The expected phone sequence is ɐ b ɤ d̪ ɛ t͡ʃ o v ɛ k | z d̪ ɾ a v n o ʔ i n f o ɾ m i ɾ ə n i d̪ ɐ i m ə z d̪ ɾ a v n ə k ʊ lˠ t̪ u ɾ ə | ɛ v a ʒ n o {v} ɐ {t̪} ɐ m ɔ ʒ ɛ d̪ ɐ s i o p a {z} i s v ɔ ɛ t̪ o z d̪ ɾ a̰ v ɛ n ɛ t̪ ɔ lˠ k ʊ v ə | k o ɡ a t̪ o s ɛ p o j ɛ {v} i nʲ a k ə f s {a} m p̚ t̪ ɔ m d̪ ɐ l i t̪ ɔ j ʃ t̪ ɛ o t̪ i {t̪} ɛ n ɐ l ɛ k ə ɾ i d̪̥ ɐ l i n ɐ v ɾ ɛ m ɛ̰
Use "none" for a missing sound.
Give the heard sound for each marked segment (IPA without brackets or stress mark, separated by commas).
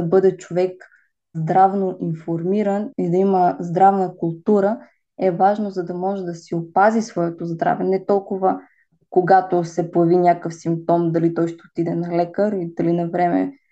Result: z, d̪, z, v, i, d̪